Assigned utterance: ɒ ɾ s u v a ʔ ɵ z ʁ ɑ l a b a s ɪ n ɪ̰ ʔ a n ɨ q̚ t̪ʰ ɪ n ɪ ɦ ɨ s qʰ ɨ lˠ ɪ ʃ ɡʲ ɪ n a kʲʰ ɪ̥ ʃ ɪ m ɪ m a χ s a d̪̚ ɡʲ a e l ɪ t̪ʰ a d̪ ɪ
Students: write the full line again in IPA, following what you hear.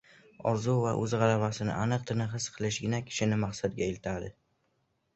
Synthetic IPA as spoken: ɒ ɾ z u v a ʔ ɵ z ʁ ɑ l a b a s ɪ n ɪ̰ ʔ a n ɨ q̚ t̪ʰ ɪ n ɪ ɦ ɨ s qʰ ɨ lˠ ɪ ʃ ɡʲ ɪ n a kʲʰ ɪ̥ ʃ ɪ n ɪ m a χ s a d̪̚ ɡʲ a e l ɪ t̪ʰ a d̪ ɪ